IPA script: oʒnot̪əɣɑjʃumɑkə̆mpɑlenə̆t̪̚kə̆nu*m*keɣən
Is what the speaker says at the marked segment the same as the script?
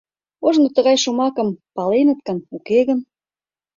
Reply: no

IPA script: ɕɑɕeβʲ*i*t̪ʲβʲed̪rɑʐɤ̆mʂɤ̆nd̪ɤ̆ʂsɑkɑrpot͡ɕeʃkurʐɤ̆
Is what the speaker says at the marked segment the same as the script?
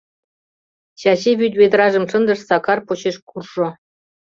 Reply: no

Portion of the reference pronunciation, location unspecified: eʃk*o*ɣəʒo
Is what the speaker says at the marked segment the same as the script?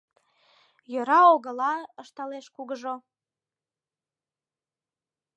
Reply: no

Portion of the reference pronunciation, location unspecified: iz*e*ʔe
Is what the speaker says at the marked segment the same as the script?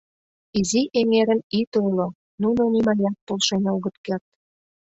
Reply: no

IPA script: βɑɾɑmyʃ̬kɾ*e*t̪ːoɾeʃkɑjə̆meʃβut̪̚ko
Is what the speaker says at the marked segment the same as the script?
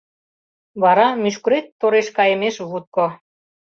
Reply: yes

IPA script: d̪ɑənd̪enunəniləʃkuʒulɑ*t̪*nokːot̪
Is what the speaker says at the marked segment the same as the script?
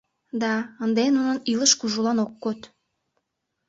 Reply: no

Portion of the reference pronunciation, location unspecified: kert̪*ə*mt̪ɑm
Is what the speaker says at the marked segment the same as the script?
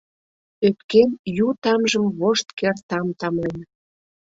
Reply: no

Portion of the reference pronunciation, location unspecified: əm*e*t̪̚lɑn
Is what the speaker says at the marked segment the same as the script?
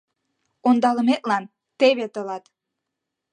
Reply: yes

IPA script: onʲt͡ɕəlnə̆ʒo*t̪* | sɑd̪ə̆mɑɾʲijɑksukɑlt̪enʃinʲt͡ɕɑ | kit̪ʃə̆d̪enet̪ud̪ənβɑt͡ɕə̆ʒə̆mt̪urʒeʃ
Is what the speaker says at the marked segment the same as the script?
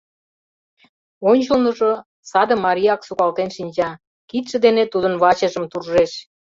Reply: no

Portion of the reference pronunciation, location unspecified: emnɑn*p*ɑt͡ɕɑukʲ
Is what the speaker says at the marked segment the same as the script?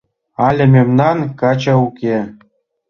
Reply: no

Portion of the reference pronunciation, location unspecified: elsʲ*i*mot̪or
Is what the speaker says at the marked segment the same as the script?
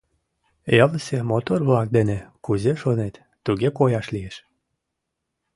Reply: no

